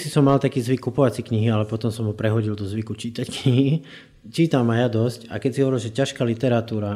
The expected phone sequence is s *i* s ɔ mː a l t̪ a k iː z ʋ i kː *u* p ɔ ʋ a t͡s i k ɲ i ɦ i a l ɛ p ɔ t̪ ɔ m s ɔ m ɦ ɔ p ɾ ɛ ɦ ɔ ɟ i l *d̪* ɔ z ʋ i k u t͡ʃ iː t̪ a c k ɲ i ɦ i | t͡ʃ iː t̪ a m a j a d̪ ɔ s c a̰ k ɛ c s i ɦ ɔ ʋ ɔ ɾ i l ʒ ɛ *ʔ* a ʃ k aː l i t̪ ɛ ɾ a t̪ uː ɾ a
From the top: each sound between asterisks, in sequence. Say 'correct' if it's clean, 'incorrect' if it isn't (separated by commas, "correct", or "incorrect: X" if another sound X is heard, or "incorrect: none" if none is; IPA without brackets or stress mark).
correct, correct, correct, incorrect: c